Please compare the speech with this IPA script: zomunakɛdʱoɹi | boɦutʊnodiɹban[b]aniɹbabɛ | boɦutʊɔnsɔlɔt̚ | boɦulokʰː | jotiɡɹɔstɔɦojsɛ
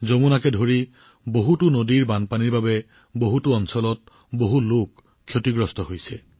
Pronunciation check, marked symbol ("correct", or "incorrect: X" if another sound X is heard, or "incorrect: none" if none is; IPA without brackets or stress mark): incorrect: p